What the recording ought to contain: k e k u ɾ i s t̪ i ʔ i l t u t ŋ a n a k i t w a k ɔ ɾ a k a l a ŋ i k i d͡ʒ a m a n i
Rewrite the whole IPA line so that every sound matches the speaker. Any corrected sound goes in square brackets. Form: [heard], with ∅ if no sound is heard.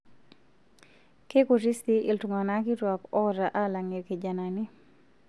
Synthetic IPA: k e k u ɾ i s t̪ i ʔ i l t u [∅] ŋ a n a k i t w a k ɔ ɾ a [ʔ] a l a ŋ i k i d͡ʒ a [n] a n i